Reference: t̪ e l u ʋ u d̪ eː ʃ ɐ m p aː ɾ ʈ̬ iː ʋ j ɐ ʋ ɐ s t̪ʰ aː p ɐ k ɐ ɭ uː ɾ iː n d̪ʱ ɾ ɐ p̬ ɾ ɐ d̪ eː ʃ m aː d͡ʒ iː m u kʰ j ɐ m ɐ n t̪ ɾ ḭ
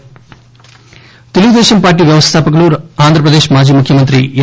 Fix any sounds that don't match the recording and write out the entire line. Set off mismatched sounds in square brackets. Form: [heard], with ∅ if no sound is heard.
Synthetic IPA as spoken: t̪ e l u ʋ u d̪ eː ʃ ɐ m p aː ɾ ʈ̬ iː ʋ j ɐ ʋ ɐ s t̪ʰ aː p ɐ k ɐ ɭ uː ɾ [aː] n d̪ʱ ɾ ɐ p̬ ɾ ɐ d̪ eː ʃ m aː d͡ʒ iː m u kʰ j ɐ m ɐ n t̪ ɾ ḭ